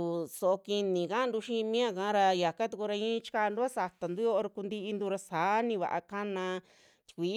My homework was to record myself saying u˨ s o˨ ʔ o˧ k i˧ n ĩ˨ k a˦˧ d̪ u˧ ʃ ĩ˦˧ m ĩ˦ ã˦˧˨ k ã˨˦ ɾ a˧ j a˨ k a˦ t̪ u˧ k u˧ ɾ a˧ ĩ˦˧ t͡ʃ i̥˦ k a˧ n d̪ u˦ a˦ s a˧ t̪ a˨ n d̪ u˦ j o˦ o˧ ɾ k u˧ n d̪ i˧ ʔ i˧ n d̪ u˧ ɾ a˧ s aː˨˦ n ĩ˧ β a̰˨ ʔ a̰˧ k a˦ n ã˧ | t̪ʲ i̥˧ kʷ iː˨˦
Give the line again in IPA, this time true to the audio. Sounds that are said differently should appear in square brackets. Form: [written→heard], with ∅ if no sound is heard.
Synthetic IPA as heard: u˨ s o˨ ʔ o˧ k i˧ n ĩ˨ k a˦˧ d̪ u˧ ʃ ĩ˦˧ m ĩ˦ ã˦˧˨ k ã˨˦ ɾ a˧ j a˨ k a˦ t̪ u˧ k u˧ ɾ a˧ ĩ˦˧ t͡ʃ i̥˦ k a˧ n d̪ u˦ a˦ s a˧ t̪ a˨ n d̪ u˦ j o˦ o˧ ɾ k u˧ n d̪ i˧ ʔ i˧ n d̪ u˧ ɾ a˧ s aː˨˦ n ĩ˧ β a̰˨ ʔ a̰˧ k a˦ n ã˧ | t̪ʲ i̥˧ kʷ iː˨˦